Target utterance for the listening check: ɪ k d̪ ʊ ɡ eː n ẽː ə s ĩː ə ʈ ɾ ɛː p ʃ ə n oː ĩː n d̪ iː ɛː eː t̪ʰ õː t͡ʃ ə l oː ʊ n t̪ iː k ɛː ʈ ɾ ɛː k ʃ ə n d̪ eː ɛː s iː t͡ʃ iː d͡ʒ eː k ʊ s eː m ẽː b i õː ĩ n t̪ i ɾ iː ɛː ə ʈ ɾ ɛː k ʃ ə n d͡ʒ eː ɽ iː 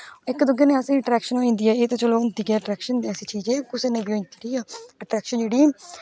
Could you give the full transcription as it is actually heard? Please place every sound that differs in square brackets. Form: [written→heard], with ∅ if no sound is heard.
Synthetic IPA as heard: ɪ k d̪ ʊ ɡ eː n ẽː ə s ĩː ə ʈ ɾ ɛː [p→k] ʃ ə n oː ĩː n d̪ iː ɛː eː [t̪ʰ→t̪] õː t͡ʃ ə l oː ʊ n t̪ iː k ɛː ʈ ɾ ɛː k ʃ ə n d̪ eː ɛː s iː t͡ʃ iː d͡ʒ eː k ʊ s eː [m→n] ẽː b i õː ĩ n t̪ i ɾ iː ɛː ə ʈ ɾ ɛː k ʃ ə n d͡ʒ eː ɽ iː